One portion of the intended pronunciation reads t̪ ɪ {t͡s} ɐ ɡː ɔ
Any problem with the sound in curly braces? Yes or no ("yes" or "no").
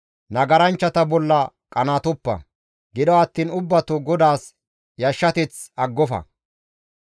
no